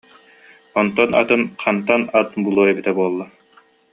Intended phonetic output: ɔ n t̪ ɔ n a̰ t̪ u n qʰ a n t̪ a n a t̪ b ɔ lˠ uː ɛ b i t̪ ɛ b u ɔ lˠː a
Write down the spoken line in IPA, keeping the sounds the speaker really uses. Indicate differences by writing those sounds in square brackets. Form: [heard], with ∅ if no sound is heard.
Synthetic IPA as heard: ɔ n t̪ ɔ n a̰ t̪ [ɯ] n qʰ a n t̪ a n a t̪ b [u] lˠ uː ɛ b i t̪ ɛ b u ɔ lˠː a